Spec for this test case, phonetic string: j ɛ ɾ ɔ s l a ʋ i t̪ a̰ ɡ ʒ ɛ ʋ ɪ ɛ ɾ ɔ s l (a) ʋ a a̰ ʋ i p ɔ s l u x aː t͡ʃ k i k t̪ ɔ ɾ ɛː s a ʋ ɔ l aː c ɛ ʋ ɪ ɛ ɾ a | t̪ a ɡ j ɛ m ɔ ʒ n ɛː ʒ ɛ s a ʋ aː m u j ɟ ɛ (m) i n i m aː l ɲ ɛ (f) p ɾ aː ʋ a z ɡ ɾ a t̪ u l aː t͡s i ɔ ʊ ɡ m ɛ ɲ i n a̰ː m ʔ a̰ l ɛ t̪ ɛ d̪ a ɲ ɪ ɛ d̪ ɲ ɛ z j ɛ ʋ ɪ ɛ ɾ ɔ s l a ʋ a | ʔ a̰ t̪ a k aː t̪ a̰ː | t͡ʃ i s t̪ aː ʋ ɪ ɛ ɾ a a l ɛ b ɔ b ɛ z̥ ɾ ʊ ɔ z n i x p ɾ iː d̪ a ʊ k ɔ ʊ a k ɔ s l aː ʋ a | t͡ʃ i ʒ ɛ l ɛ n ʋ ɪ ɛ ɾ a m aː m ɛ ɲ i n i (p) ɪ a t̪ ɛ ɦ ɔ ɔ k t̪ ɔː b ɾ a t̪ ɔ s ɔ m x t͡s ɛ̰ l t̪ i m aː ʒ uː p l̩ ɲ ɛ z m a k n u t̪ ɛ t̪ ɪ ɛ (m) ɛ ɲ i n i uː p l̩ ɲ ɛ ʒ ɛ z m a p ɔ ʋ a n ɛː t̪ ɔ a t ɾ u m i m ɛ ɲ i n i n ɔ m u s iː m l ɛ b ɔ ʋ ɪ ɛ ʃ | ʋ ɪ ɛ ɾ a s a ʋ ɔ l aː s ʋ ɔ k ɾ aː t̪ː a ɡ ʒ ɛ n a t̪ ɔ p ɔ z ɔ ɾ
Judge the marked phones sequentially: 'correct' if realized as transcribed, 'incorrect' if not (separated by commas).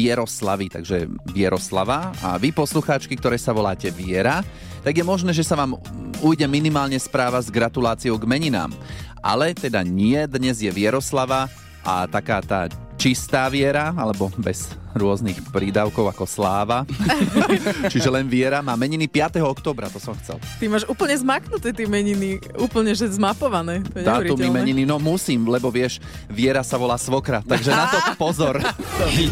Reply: correct, correct, incorrect, correct, correct